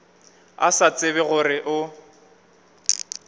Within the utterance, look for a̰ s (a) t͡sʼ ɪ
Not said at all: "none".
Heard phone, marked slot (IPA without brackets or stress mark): a